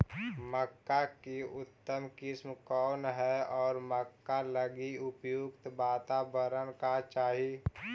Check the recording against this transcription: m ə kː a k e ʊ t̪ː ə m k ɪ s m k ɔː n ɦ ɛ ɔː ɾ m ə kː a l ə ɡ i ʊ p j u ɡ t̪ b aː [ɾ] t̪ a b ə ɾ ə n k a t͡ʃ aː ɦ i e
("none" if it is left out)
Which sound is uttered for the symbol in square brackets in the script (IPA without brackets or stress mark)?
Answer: none